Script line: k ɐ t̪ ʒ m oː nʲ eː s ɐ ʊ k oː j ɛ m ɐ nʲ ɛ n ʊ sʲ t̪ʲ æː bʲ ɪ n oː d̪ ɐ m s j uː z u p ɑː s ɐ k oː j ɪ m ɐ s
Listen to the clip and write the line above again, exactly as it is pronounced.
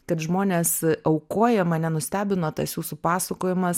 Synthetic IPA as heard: k ɐ t̪ ʒ m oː nʲ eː s ɐ ʊ k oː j ɛ m ɐ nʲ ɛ n ʊ sʲ t̪ʲ æː bʲ ɪ n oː t̪ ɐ s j uː s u p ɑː s ɐ k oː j ɪ m ɐ s